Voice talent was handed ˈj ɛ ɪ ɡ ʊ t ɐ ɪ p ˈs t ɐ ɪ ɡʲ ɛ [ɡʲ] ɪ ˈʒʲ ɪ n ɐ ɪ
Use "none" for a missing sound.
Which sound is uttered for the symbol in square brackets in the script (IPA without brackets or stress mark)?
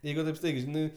none